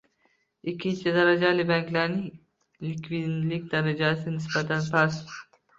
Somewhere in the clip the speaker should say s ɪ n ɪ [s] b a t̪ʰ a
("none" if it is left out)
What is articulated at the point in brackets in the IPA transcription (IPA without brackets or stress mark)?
s